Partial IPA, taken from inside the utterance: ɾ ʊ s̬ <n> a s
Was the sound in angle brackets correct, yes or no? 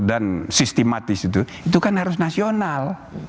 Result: yes